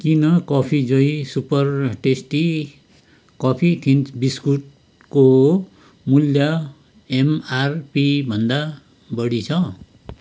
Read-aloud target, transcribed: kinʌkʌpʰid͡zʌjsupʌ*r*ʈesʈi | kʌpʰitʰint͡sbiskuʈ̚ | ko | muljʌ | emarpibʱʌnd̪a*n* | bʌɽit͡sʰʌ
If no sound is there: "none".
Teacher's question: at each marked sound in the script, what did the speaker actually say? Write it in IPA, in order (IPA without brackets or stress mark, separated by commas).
r, none